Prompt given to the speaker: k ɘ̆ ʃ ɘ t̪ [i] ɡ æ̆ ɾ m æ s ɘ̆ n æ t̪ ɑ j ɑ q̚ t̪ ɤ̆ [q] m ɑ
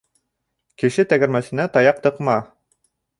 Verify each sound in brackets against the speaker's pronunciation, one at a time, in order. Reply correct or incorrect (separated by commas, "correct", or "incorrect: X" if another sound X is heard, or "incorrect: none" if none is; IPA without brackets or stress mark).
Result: incorrect: æ, correct